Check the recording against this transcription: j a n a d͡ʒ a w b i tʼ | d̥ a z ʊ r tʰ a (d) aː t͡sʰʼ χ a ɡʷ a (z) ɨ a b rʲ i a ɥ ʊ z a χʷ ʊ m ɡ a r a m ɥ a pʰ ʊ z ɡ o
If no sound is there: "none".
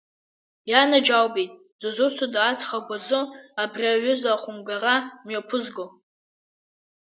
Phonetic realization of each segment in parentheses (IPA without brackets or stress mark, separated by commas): d, z